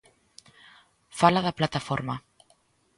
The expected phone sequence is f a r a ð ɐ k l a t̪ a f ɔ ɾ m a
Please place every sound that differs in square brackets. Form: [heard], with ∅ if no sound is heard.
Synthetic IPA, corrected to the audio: f a [l] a ð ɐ [p] l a t̪ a f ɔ ɾ m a